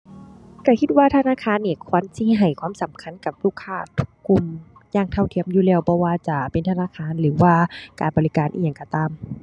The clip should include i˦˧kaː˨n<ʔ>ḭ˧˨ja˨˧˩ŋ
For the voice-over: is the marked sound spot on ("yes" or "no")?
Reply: yes